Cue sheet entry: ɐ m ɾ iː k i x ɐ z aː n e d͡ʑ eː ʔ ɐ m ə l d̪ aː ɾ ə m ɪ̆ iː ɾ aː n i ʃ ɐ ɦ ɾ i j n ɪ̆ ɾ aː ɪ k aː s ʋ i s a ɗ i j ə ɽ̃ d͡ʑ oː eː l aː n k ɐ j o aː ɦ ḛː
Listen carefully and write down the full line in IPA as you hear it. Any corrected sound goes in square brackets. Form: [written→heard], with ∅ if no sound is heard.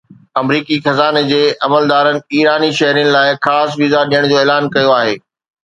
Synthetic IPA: ɐ m ɾ iː k i x ɐ z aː n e d͡ʑ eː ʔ ɐ m ə l d̪ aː ɾ ə [m→n] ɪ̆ iː ɾ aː n i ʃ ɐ ɦ ɾ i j n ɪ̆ [ɾ→l] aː ɪ [k→x] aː s ʋ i [s→z] a ɗ i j ə ɽ̃ d͡ʑ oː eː l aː n k ɐ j o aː ɦ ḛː